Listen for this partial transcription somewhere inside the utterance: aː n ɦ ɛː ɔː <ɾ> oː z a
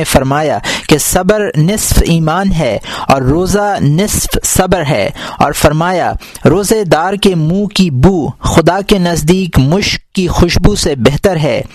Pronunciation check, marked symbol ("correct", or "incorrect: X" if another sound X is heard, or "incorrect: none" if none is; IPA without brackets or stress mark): incorrect: ɾː